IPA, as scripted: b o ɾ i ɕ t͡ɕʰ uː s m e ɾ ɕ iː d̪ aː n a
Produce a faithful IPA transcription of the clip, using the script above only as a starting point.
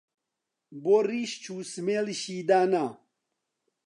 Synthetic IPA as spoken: b o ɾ i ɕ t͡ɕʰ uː s m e l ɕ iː d̪ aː n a